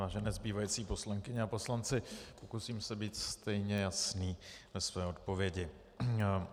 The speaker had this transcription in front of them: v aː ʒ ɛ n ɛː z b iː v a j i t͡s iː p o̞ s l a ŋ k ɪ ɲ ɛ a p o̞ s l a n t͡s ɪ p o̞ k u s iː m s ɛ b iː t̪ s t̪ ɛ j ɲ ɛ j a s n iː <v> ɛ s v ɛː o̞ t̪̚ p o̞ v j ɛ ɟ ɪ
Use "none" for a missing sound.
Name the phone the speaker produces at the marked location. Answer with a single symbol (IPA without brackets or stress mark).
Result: v